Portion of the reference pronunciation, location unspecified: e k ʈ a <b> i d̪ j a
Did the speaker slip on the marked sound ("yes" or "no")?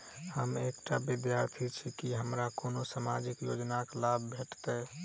no